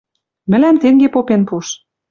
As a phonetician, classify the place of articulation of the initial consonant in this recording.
labial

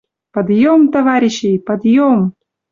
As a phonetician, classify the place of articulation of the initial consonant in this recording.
labial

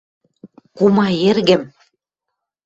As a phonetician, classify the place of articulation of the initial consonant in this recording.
velar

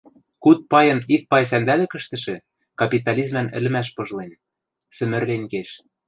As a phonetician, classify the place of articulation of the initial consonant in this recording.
velar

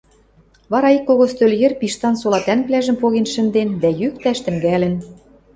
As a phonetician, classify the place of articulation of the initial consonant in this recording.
labial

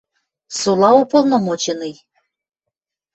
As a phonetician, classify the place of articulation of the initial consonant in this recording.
alveolar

